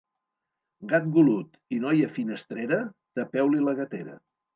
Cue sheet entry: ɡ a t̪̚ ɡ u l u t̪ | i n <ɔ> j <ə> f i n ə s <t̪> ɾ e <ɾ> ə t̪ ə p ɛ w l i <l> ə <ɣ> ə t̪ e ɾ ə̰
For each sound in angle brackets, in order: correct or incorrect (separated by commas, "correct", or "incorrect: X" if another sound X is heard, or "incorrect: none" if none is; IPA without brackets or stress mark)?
correct, correct, correct, correct, correct, correct